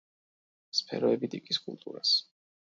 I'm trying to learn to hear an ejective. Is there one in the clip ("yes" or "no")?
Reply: yes